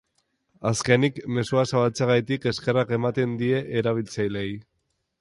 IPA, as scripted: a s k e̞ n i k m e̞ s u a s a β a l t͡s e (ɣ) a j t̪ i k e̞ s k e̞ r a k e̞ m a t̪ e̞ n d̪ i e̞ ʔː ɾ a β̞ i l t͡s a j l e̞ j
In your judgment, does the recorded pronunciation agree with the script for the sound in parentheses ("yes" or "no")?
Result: yes